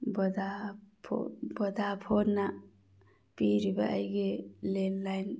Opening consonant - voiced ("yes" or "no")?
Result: yes